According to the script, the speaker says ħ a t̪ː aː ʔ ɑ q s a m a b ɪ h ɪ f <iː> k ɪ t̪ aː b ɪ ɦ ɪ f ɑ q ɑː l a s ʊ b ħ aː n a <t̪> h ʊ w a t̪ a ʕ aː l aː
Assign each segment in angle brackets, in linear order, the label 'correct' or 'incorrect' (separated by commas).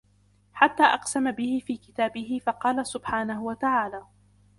correct, incorrect